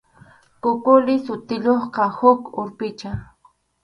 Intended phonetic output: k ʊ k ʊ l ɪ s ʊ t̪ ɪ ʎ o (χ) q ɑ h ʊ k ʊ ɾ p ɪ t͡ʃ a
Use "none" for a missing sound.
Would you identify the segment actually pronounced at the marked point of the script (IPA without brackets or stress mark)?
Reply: χ